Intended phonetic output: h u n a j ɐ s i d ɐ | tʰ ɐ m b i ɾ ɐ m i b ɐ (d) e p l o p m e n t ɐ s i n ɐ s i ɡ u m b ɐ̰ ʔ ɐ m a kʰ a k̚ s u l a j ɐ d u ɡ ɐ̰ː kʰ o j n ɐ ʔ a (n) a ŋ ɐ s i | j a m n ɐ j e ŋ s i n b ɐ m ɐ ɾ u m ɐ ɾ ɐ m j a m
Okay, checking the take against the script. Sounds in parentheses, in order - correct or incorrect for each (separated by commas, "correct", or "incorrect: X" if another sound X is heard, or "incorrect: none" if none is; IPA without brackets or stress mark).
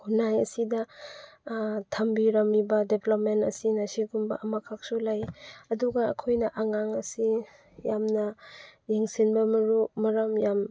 correct, incorrect: ŋ